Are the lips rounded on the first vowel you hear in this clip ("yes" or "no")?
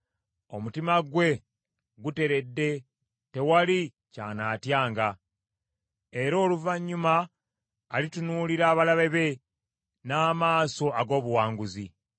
yes